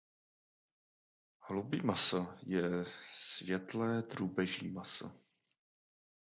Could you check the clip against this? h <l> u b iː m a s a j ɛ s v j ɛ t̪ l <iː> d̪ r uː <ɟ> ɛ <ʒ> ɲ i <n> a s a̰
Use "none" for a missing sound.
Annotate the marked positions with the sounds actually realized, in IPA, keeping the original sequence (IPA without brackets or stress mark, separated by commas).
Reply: l, ɛː, b, ʒ, m